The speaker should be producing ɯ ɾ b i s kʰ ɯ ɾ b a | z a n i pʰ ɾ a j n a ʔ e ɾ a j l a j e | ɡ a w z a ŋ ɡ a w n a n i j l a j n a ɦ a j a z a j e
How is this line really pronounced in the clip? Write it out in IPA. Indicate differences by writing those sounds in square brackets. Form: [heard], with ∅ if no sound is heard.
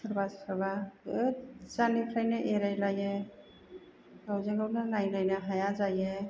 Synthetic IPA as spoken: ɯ ɾ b [a] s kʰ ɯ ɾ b a | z a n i pʰ ɾ a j n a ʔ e ɾ a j l a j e | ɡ a w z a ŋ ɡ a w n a n [a] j l a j n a ɦ a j a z a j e